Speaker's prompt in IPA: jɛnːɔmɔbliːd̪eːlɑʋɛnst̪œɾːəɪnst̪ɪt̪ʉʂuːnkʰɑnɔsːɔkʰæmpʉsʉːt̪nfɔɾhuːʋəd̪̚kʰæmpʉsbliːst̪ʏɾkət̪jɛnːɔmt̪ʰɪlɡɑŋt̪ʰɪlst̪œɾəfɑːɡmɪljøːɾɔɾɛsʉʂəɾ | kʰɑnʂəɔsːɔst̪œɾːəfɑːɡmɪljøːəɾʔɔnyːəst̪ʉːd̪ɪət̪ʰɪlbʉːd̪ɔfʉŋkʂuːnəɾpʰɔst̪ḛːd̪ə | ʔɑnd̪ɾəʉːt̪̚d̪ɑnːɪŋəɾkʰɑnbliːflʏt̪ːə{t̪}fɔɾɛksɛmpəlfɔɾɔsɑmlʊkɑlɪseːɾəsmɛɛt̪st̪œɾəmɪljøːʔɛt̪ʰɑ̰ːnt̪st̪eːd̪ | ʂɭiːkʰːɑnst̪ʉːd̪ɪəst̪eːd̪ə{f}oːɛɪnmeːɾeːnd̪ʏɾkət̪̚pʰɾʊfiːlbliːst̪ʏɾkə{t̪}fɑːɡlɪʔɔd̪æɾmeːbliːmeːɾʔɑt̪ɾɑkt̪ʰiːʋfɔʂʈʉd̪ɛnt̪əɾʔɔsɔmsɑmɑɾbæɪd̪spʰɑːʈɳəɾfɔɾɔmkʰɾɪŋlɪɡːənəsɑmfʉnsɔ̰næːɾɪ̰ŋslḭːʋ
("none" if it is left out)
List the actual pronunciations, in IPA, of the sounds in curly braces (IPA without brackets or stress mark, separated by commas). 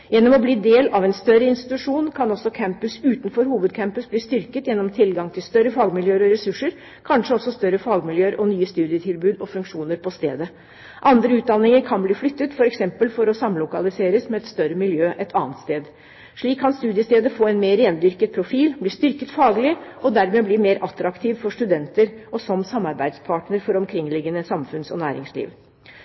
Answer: t̪, f, t̪